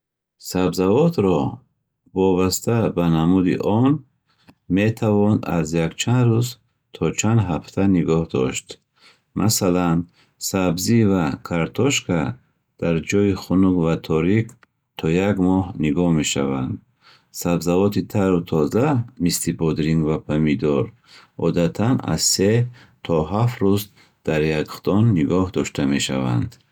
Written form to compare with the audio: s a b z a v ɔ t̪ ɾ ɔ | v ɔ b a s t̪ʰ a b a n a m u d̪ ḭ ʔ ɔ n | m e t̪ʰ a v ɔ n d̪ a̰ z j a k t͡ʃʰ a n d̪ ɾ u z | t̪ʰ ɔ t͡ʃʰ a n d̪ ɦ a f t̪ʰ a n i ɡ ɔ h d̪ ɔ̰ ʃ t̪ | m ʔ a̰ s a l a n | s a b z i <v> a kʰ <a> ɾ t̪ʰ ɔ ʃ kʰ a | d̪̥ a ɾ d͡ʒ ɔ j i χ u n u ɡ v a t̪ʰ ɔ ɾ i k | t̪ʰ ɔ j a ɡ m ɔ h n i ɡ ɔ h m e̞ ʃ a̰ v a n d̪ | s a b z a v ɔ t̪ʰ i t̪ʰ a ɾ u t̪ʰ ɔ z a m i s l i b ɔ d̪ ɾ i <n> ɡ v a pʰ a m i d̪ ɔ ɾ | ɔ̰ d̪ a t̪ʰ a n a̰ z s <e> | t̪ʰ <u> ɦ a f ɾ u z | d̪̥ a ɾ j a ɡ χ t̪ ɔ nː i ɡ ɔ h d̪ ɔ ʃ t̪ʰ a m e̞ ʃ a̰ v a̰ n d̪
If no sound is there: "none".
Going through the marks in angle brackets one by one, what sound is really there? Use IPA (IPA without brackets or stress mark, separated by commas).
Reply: v, a, ŋ, e, ɔ